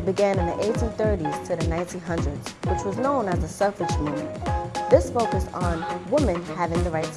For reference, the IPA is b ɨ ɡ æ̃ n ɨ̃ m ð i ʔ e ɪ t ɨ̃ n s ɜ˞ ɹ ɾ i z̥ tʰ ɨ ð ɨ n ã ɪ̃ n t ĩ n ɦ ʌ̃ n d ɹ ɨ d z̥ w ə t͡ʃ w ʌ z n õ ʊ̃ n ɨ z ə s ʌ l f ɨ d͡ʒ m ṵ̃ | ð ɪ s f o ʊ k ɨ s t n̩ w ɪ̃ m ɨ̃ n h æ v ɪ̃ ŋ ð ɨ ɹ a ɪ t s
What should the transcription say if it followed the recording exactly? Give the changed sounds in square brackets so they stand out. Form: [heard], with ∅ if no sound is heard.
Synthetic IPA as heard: b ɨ ɡ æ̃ n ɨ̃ [n] ð i ʔ e ɪ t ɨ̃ n [θ] ɜ˞ [∅] ɾ i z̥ tʰ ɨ ð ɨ n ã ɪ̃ n t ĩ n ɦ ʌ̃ n d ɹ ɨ d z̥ w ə t͡ʃ w ʌ z n õ ʊ̃ n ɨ z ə s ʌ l f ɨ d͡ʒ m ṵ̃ | ð ɪ s f o ʊ k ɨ s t n̩ w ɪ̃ m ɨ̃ n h æ v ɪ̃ ŋ ð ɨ ɹ a ɪ t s